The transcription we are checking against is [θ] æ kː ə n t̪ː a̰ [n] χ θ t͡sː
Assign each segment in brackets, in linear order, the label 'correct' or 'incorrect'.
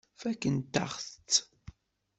incorrect: f, incorrect: none

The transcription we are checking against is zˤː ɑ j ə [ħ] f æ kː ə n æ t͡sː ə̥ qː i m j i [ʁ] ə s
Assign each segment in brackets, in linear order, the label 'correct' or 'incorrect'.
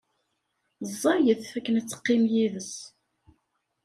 incorrect: θ, incorrect: ð

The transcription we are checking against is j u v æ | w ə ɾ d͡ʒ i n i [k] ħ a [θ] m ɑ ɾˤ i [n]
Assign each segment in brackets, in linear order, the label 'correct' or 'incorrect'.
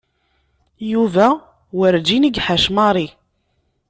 incorrect: ɡ, incorrect: ʃ, incorrect: none

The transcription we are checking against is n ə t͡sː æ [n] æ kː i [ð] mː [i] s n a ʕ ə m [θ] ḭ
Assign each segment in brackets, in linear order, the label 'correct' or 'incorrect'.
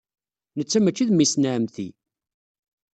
incorrect: m, correct, correct, correct

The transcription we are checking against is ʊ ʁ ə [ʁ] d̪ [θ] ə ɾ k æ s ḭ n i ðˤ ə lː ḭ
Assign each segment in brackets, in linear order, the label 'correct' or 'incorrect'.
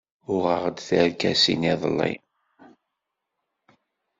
correct, correct

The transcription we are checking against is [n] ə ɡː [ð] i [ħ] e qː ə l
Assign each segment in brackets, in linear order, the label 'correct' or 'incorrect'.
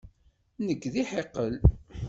correct, correct, correct

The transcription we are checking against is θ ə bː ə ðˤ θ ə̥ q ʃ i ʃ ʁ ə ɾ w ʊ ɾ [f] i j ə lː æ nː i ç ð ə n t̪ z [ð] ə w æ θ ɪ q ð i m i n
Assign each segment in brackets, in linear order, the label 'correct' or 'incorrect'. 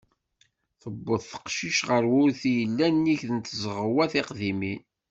incorrect: θ, incorrect: ʁ

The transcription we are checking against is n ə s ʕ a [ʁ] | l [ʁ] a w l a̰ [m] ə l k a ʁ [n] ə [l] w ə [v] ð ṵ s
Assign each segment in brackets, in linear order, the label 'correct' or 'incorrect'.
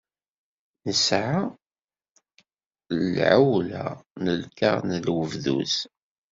incorrect: none, incorrect: ʕ, incorrect: n, correct, correct, correct

